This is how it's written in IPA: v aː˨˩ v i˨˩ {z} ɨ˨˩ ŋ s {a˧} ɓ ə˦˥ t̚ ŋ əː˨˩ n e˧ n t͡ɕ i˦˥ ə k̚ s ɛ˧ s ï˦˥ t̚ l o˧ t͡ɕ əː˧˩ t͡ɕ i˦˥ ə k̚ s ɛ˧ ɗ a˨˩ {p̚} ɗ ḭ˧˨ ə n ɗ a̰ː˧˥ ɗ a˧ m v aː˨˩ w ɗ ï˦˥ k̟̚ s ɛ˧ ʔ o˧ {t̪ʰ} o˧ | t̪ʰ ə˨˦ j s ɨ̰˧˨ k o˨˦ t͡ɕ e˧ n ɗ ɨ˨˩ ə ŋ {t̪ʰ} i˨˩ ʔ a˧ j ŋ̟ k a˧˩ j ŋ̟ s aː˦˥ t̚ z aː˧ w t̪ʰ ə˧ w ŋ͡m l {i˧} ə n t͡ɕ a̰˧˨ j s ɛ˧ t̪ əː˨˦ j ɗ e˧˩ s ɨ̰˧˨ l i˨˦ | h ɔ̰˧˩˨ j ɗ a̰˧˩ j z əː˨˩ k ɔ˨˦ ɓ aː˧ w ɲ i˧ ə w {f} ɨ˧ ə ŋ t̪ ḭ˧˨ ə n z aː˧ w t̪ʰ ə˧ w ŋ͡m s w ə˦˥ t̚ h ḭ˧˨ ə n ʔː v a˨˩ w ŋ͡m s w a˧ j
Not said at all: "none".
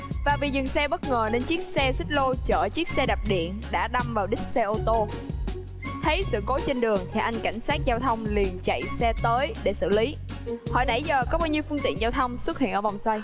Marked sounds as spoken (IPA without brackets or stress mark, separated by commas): z, ɛ˧, p̚, t̪, t̪ʰ, i˨˩, f